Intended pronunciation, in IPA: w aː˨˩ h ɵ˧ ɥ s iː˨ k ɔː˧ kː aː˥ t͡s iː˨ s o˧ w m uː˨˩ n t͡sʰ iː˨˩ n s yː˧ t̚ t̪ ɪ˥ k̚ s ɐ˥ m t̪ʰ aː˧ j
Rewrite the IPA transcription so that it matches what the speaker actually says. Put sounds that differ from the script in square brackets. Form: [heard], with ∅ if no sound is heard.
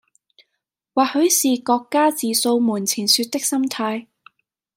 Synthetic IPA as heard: w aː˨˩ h [ɵ˨˥] ɥ s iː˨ k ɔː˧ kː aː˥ t͡s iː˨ s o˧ w m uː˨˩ n t͡sʰ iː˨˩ n s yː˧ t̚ t̪ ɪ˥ k̚ s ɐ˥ m t̪ʰ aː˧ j